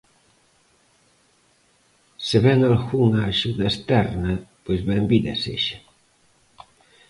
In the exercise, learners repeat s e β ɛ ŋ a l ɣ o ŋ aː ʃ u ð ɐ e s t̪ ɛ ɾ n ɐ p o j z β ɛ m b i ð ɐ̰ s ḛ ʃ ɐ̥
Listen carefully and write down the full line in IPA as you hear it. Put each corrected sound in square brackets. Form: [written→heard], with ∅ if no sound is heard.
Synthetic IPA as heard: s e β ɛ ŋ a l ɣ [o→u] ŋ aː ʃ u ð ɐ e s t̪ ɛ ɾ n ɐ p o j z β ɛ m b i ð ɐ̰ s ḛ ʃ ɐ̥

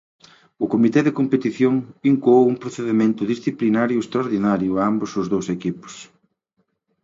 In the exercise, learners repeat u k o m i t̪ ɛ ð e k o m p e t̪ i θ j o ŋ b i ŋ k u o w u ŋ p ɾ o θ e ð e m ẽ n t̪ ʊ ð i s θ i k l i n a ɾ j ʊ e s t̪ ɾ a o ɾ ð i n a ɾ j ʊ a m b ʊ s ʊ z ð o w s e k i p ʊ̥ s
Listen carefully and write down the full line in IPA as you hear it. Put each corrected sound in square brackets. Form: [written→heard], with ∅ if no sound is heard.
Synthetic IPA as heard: [u→ʊ] k o m i t̪ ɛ ð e k o m p e t̪ i θ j o ŋ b i ŋ k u o w u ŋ p ɾ o θ e ð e m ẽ n t̪ ʊ ð i s θ i [k→p] l i n a ɾ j ʊ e s t̪ ɾ a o ɾ ð i n a ɾ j ʊ a m b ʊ s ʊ z ð o w s e k i p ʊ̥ s

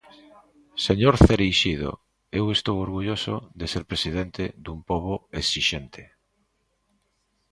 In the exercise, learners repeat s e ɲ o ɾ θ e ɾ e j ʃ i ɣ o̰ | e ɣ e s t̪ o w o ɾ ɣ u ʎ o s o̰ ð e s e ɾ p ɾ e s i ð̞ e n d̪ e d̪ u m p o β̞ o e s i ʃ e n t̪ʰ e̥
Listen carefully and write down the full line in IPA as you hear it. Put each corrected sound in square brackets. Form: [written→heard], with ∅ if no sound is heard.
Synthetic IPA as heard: s e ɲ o ɾ θ e ɾ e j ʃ i [ɣ→ð] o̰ | e [ɣ→w] e s t̪ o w o ɾ ɣ u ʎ o s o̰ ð e s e ɾ p ɾ e s i ð̞ e n [d̪→t̪] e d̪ u m p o β̞ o e s i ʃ e n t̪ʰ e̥

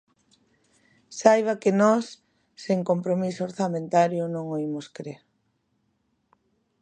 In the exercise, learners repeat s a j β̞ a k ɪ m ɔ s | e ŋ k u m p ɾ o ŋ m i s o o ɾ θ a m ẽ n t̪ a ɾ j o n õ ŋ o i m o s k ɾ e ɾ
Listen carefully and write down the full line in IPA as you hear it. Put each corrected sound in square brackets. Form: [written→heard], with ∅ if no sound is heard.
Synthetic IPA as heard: s a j β̞ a k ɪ [m→n] ɔ [s→sː] | e ŋ k [u→o] m p ɾ o [ŋ→∅] m i s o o ɾ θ a m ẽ n t̪ a ɾ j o n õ ŋ o i m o s k ɾ e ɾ

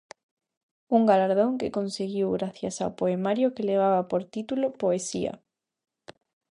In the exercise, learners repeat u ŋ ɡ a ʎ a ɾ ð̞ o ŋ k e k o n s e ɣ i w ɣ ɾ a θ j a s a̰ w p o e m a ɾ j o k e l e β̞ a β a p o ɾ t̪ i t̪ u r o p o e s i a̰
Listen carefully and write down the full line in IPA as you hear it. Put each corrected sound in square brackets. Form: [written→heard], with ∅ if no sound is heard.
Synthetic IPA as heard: u ŋ ɡ a [ʎ→l] a ɾ ð̞ o ŋ k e k o n s e ɣ i w ɣ ɾ a θ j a s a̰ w p o e m a ɾ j o k e l e β̞ a β a p o ɾ t̪ i t̪ u [r→l] o p o e s i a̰

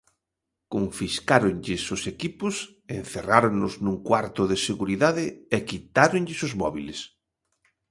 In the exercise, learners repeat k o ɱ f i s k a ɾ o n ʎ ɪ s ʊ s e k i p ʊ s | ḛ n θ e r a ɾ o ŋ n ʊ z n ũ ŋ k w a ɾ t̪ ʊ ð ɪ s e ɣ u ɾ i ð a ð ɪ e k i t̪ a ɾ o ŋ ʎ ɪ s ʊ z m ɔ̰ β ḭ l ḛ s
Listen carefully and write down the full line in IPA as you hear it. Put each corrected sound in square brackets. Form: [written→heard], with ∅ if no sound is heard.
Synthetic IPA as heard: k o ɱ f i s k a ɾ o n ʎ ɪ s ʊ s e k i p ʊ s | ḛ n θ e r a ɾ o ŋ n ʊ z n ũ ŋ k w a ɾ t̪ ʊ ð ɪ s e ɣ u ɾ i ð a ð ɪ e k i t̪ a ɾ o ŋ ʎ ɪ s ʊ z m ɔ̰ β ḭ l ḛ s

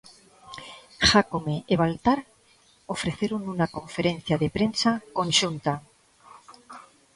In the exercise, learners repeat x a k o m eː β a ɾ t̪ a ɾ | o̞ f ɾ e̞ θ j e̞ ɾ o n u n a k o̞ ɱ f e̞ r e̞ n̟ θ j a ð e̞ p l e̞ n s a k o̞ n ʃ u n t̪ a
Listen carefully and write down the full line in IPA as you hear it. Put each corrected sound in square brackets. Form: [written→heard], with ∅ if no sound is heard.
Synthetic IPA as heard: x a k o m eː β a [ɾ→l] t̪ a ɾ | o̞ f ɾ e̞ θ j e̞ ɾ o n u n a k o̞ ɱ f e̞ [r→ɾ] e̞ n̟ θ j a ð e̞ p [l→ɾ] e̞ n s a k o̞ n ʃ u n t̪ a

